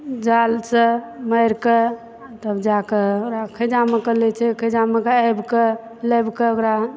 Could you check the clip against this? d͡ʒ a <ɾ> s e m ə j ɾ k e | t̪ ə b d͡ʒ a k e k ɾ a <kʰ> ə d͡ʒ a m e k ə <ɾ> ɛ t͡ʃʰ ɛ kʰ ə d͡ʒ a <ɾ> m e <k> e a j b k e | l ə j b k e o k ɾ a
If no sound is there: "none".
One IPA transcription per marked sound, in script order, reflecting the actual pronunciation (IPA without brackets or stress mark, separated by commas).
l, kʰ, l, none, k